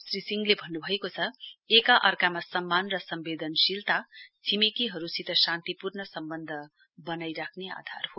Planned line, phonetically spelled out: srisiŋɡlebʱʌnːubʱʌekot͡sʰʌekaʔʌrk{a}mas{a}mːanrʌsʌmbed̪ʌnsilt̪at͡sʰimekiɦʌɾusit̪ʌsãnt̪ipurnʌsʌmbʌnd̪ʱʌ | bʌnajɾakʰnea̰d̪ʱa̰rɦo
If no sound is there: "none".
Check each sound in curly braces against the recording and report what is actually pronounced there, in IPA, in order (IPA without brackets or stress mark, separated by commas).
a, ʌ